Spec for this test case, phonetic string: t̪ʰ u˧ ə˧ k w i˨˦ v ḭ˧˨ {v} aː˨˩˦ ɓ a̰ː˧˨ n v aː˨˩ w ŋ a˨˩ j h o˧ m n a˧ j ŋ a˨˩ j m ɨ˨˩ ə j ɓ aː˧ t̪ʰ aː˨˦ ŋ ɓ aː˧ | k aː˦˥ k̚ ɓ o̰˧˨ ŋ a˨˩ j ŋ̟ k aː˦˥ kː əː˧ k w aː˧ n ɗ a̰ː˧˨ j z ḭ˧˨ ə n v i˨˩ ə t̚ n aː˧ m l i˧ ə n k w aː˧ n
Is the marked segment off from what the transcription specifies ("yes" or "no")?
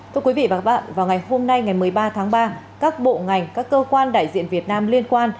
no